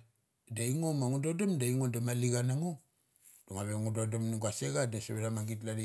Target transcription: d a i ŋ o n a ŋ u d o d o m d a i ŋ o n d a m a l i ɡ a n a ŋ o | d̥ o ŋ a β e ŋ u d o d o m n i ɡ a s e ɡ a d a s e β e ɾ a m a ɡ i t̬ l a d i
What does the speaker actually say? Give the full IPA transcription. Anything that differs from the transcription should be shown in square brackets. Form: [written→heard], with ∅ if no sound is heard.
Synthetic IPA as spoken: d a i ŋ o [n→m] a ŋ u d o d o m d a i ŋ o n d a m a l i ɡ a n a ŋ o | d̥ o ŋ a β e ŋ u d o d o m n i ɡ a s e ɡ a d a s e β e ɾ a m a ɡ i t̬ l a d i

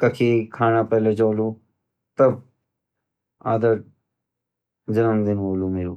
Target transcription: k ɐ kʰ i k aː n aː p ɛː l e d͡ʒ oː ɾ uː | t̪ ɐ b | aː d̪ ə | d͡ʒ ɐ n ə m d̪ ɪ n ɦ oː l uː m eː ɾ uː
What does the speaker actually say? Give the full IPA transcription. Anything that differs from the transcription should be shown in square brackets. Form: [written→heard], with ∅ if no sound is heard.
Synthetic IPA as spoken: k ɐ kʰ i [k→kʰ] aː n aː p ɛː l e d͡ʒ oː [ɾ→l] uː | t̪ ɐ b | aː d̪ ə | d͡ʒ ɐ n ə m d̪ ɪ n ɦ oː l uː m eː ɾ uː

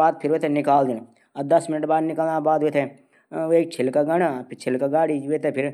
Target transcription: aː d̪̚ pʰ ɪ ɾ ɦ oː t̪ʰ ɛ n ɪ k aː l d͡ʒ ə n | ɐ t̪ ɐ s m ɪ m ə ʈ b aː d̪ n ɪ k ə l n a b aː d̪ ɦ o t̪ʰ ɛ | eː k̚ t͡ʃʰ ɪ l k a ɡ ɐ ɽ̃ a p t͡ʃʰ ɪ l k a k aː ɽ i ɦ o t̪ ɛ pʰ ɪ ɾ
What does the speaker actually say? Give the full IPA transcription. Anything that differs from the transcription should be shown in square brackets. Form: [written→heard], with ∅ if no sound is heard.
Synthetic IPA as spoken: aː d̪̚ pʰ ɪ ɾ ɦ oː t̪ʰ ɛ n ɪ k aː l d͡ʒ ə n | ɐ [t̪→d̪] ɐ s m ɪ [m→n] ə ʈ b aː d̪ n ɪ k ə l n a b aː d̪ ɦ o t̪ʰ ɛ | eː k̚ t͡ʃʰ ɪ l k a ɡ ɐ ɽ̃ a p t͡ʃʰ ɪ l k a [k→ɡ] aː ɽ i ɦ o t̪ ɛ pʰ ɪ ɾ

